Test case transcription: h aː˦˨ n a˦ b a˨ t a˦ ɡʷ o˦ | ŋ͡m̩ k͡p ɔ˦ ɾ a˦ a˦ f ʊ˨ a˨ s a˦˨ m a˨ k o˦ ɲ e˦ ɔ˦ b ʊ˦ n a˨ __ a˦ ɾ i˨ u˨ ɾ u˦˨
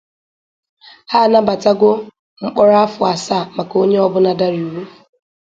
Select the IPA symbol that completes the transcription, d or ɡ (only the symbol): d